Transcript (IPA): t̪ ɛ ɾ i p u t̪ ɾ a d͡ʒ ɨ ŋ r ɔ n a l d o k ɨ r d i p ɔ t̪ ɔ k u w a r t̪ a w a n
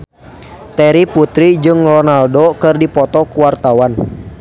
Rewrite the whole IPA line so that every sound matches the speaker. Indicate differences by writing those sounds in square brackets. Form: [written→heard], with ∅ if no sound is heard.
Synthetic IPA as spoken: t̪ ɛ ɾ i p u t̪ ɾ [a→i] d͡ʒ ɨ ŋ r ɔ n a l d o k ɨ r d i p ɔ t̪ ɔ k u w a r t̪ a w a n

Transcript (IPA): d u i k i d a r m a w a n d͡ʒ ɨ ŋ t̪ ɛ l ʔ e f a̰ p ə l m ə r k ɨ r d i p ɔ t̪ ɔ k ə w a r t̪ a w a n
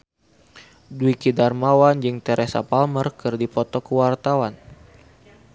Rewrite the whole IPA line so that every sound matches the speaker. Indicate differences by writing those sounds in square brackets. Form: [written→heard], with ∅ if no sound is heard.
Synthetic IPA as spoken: d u i k i d a r m a w a n d͡ʒ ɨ ŋ t̪ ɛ [l→ɾ] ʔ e [f→s] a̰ p [ə→a] l m ə r k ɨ r d i p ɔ t̪ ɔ k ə w a r t̪ a w a n

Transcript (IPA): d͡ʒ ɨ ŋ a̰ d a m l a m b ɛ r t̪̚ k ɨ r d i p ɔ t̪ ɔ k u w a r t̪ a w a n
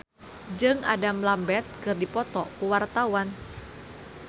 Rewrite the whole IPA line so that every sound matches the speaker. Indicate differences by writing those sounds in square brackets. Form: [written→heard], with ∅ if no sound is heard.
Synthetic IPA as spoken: d͡ʒ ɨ ŋ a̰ d a m l a m b ɛ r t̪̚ k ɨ r d i p ɔ t̪ ɔ k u w a r t̪ a w a n

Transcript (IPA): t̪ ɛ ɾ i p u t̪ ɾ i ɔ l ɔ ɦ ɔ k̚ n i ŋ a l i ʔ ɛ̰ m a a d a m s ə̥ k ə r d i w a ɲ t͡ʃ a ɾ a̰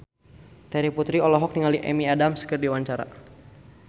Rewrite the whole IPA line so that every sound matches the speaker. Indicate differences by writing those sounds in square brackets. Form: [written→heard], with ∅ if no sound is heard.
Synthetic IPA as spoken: t̪ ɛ ɾ i p u t̪ ɾ i ɔ l ɔ ɦ ɔ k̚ n i ŋ a l i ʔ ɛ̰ m [a→i] a d a m s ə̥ k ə r d i w a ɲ t͡ʃ a ɾ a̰

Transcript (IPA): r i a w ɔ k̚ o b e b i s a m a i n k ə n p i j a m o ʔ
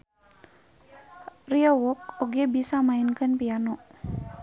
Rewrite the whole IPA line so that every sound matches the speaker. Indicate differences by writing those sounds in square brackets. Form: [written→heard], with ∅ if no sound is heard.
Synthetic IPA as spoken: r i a w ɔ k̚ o [b→ɡ] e b i s a m a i n k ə n p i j a [m→n] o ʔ

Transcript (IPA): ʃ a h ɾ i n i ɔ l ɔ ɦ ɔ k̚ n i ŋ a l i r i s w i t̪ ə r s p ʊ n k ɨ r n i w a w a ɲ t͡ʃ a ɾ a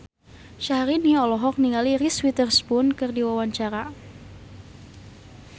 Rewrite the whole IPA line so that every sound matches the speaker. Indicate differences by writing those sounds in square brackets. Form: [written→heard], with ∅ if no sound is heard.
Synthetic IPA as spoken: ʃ a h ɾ i n i ɔ l ɔ ɦ ɔ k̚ n i ŋ a l i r i s w i t̪ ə r s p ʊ n k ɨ r [n→d] i w a w a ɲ t͡ʃ a ɾ a

